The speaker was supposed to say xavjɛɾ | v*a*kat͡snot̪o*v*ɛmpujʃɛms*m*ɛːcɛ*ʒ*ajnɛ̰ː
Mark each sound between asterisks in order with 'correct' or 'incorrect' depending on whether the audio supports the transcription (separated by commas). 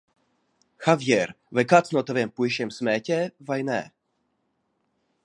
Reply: incorrect, correct, correct, incorrect